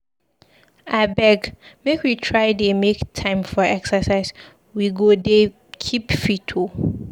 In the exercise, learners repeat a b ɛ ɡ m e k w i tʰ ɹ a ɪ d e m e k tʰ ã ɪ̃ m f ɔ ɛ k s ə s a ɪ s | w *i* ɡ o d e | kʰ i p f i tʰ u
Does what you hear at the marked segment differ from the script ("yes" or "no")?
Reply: no